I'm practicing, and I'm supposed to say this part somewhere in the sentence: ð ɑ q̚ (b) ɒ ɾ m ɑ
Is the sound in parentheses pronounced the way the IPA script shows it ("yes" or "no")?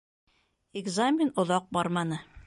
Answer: yes